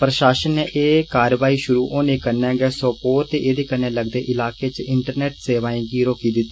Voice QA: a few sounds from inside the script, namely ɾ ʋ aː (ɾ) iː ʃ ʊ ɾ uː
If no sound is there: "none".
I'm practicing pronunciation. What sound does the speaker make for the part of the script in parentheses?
none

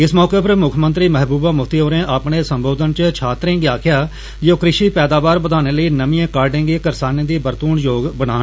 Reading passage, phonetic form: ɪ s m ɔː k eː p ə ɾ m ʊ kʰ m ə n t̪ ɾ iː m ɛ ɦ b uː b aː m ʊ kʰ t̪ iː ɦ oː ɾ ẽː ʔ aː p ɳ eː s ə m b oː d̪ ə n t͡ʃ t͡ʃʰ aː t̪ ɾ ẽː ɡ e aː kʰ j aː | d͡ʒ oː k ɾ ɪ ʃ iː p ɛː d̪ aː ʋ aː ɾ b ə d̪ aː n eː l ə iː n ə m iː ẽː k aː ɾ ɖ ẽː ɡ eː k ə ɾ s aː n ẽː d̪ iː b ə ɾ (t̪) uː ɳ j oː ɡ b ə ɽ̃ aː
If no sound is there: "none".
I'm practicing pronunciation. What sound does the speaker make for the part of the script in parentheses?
t̪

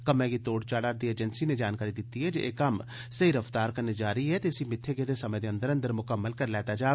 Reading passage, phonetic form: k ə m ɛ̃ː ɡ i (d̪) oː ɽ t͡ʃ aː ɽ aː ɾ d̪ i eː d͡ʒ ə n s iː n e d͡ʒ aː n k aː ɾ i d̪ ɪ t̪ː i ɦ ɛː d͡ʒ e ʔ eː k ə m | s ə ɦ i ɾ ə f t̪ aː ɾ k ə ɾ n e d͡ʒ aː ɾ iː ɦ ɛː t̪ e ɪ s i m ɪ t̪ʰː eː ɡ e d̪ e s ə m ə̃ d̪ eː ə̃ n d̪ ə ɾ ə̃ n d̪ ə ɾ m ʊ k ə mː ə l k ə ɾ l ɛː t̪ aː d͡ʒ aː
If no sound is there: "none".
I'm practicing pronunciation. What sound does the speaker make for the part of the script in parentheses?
t̪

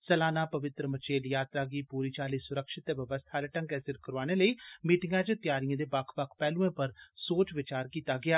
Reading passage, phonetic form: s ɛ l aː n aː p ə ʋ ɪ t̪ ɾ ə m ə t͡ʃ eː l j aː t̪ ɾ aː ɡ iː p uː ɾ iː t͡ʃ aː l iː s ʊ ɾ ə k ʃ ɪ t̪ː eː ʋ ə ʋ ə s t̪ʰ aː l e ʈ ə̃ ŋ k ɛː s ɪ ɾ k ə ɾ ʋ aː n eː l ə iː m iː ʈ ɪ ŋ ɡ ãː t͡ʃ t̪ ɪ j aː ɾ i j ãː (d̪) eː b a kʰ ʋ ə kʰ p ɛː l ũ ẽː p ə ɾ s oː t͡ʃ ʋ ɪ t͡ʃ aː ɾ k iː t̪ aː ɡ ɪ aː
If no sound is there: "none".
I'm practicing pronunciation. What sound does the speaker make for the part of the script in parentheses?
d̪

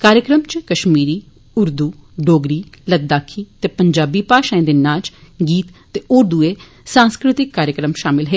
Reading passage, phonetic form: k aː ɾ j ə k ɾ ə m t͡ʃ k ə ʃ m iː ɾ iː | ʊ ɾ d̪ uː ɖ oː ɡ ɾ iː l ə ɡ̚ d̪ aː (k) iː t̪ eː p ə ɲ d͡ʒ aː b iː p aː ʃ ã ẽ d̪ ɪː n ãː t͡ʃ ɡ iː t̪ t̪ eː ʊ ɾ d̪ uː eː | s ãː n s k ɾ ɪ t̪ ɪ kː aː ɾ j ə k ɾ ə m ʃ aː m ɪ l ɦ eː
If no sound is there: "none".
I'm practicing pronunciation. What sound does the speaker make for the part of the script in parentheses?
kʰ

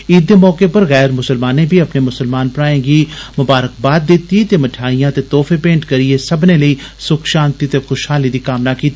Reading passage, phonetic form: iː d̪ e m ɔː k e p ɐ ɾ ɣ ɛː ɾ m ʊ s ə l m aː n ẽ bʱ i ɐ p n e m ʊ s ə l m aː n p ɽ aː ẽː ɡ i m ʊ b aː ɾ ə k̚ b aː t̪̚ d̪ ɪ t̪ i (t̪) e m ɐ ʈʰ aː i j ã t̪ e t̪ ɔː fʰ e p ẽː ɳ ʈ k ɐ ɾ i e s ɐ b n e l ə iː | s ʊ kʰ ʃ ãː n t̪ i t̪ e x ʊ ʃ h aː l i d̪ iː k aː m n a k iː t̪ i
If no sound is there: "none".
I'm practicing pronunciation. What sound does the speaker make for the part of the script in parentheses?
t̪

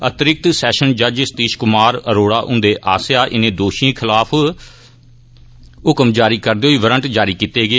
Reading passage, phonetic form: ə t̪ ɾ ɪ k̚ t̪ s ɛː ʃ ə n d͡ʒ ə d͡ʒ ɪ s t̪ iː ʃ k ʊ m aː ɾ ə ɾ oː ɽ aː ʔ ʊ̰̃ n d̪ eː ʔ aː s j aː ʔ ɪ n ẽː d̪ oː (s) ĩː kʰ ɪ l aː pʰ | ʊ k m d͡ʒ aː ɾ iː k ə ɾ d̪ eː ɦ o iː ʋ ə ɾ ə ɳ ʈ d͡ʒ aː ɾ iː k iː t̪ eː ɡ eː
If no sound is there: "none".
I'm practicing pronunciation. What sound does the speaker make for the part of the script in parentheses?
ʃ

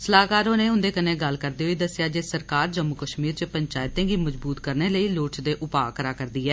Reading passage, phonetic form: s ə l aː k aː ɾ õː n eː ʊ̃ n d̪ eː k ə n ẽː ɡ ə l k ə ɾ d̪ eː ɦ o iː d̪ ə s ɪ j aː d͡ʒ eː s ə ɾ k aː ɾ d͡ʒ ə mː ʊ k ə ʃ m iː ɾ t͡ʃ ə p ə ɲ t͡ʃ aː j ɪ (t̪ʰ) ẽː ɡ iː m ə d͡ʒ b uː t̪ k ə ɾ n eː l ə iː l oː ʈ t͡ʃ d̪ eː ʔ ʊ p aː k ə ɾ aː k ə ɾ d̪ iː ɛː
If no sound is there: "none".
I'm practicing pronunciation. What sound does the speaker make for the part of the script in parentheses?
t̪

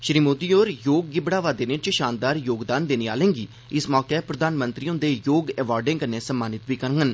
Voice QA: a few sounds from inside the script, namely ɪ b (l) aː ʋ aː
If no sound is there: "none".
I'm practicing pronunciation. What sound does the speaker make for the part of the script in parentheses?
ɽ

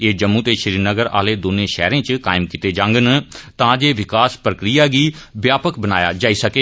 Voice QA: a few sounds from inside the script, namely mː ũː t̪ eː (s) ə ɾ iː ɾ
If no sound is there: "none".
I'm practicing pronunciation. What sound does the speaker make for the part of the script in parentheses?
ʃ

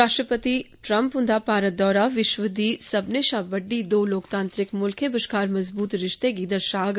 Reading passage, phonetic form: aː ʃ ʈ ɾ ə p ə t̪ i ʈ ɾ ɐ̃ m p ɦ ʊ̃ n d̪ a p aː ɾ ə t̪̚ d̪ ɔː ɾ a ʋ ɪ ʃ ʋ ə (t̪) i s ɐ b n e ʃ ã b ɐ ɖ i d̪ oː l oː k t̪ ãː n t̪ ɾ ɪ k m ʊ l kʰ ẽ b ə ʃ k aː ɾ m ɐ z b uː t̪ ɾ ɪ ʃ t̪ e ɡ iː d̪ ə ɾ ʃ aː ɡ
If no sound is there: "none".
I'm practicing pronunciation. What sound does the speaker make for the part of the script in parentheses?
d̪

